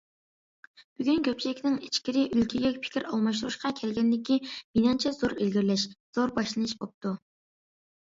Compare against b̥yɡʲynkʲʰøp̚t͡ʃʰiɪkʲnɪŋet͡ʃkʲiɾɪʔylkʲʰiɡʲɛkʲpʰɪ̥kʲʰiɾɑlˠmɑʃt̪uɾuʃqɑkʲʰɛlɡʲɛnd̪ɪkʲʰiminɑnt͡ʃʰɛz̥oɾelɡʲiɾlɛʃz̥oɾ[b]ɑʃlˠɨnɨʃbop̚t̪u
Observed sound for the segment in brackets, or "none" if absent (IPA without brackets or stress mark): b